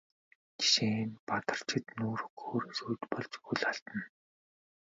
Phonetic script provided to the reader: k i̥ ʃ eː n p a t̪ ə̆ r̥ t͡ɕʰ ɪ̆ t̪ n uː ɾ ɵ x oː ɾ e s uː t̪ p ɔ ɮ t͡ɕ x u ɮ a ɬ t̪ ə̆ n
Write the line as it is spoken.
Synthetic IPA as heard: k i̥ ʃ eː n p a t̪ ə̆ r̥ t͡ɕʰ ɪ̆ t̪ n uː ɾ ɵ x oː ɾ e s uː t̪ p ɔ ɮ t͡ɕ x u ɮ a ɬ t̪ ə̆ n